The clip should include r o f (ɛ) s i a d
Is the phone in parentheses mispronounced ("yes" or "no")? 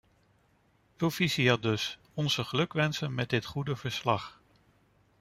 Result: yes